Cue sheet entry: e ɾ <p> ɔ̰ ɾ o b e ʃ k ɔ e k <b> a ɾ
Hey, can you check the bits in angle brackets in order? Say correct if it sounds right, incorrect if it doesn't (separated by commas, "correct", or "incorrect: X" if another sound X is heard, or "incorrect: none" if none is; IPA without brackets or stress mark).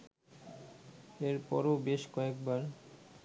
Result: correct, correct